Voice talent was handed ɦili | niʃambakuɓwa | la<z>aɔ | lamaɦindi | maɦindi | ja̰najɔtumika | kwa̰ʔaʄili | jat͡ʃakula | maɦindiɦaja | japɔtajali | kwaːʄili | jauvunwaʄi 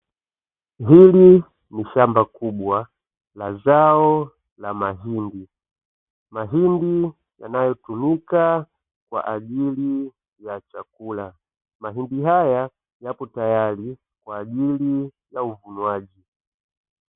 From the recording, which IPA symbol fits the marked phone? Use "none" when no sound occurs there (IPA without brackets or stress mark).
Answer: z